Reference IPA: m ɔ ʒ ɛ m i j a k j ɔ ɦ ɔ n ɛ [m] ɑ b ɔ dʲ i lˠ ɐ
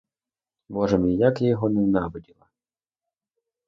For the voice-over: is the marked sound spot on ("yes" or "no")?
no